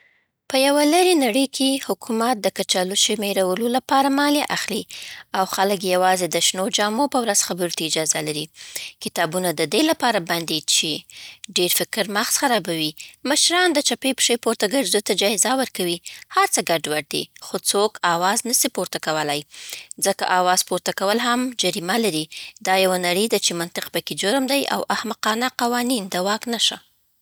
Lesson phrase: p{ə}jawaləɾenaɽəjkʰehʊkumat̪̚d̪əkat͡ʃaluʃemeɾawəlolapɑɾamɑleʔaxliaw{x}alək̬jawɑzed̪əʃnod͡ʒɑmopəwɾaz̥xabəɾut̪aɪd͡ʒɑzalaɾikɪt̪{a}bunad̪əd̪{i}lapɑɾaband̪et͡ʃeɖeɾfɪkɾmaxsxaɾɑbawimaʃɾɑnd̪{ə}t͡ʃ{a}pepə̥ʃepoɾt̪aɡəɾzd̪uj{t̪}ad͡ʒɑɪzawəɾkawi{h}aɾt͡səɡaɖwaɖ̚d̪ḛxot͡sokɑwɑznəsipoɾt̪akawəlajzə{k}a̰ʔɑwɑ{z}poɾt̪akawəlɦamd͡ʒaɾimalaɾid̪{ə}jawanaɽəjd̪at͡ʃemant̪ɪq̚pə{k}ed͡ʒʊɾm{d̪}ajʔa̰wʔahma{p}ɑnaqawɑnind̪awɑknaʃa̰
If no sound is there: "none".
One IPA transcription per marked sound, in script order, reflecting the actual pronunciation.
ə, x, ɑ, e, ə, a, t̪, h, k, z, ɑ, k, d̪, q

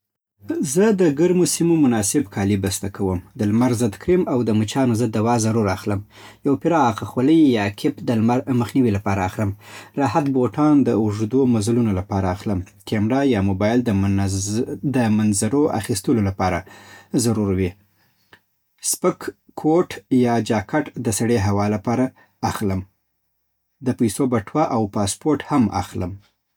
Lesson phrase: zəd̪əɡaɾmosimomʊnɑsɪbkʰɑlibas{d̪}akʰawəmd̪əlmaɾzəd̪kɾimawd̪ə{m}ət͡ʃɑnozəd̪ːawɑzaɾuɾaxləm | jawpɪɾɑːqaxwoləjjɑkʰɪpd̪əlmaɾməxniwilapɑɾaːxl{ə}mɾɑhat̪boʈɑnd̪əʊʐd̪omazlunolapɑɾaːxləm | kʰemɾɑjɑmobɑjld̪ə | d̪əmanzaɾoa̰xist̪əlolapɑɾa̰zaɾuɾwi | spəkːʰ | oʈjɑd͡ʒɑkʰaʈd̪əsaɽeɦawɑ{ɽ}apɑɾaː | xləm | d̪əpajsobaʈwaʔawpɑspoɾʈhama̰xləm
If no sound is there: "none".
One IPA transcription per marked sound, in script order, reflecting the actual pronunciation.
t̪, m, ə, l

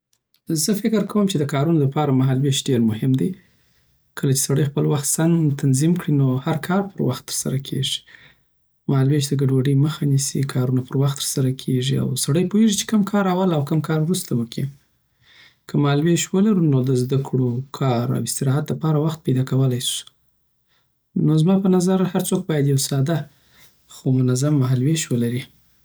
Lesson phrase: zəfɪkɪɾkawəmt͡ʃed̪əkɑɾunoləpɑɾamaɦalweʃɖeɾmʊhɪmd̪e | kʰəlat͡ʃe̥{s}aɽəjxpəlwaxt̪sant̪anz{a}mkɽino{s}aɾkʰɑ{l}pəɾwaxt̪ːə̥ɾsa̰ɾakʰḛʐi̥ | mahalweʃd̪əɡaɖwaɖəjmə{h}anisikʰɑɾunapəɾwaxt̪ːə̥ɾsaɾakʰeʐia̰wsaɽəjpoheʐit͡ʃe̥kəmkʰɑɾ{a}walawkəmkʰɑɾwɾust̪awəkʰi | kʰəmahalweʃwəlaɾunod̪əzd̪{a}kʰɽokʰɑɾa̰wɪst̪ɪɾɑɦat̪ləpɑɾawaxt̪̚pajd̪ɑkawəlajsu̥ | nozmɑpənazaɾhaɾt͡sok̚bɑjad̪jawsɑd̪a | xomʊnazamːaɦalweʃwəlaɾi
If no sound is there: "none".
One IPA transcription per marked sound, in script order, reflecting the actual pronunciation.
s, i, h, ɾ, x, a, a

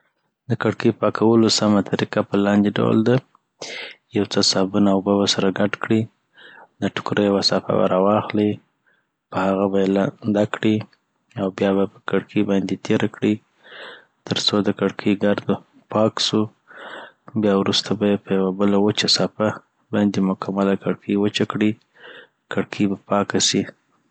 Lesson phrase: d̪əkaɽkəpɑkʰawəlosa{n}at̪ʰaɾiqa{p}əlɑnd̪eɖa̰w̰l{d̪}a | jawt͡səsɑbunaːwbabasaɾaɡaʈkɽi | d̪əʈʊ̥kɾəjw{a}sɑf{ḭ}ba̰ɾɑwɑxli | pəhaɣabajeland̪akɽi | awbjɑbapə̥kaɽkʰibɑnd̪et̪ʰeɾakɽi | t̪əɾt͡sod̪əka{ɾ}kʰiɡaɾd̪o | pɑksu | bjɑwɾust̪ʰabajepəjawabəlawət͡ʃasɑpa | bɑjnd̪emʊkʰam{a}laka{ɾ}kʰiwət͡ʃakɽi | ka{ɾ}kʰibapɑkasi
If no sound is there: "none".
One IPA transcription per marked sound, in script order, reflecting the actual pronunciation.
m, p, d̪, a, a̰, ɽ, a, ɽ, ɽ

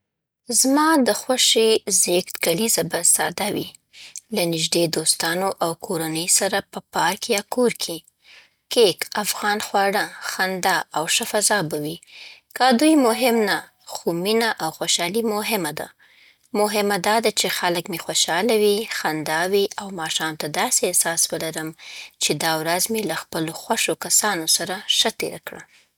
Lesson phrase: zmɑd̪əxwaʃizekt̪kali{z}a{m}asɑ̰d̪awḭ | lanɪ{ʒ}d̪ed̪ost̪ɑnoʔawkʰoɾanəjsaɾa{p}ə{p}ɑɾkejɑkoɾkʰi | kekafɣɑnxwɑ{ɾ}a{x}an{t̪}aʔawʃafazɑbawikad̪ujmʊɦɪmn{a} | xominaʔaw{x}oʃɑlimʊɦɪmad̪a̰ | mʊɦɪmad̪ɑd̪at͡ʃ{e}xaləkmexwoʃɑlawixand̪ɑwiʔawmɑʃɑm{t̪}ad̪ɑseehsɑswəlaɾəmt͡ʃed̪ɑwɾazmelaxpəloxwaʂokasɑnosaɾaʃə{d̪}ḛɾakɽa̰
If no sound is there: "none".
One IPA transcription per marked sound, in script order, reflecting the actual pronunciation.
z, b, ʒ, p, p, ɽ, x, d̪, a, x, e, t̪, t̪

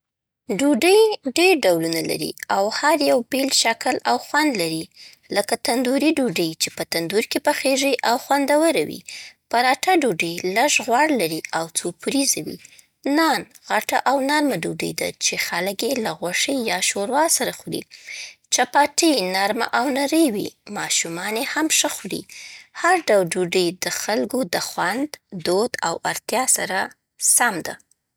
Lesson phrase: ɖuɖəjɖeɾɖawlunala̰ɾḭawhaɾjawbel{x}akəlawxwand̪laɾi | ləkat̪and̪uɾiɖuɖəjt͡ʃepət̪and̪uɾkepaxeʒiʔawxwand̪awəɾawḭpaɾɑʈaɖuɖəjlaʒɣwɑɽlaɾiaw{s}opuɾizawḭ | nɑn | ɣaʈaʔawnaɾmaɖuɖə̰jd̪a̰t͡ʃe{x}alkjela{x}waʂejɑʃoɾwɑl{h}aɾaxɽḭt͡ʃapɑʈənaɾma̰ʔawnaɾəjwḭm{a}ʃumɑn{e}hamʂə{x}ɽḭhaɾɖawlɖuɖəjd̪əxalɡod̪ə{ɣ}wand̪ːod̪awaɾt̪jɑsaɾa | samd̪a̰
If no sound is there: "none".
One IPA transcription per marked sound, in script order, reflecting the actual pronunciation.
ʃ, t͡s, x, ɣ, s, ɑ, e, x, x

